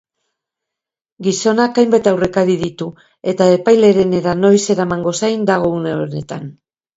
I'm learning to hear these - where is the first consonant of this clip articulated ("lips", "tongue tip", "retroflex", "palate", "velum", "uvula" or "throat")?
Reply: velum